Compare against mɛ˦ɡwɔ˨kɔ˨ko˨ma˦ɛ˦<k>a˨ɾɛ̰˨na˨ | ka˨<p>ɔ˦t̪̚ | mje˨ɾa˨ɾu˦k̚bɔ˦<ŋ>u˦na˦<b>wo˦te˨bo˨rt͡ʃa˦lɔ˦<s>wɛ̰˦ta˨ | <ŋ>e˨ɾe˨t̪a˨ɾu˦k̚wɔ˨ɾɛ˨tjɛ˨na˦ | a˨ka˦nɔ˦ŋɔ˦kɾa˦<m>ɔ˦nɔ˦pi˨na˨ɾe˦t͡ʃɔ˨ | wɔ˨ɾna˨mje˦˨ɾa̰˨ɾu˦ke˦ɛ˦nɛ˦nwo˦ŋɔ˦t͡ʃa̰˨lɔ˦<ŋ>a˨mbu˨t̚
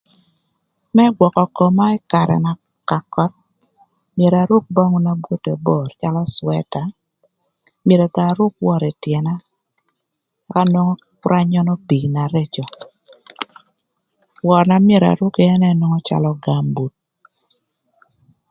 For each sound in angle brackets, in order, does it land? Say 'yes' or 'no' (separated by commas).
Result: yes, no, yes, yes, yes, no, no, no